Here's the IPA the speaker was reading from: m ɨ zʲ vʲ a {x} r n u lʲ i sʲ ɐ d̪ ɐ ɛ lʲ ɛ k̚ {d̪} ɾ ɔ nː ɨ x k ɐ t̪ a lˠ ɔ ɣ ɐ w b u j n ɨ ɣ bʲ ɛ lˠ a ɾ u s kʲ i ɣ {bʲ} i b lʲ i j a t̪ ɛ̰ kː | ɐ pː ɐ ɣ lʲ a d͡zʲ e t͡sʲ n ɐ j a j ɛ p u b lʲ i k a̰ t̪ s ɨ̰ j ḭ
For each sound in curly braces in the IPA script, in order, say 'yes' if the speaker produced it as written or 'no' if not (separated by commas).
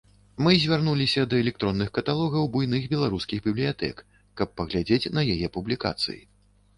no, no, yes